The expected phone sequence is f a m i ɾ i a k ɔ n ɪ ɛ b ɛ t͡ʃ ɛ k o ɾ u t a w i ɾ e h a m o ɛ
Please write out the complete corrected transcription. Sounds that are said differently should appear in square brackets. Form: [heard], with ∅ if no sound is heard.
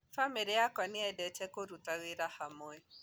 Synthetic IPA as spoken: f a m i ɾ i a k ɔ n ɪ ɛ [d] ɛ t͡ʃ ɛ k o ɾ u t a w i ɾ [a] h a m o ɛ